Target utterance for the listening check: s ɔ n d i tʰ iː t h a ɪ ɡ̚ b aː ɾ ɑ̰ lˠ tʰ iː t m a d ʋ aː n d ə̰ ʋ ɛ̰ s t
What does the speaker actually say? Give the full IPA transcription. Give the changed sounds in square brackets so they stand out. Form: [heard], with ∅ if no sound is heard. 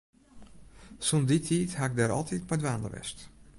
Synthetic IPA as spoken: s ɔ n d i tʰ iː t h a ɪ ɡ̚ [d] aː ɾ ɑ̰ lˠ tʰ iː t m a d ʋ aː n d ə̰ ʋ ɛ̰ s t